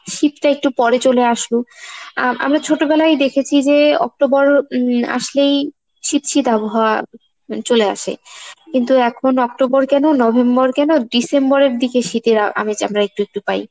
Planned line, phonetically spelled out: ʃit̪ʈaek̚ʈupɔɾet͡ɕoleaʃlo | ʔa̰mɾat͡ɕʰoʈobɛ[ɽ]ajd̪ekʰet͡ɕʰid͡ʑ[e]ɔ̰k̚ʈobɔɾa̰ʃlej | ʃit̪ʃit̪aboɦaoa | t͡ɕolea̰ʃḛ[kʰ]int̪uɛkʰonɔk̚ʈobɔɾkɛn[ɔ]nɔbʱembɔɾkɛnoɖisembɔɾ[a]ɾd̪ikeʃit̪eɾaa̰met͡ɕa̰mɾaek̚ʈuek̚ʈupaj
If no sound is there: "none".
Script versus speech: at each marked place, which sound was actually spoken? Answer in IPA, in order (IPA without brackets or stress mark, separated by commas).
l, e, k, o, e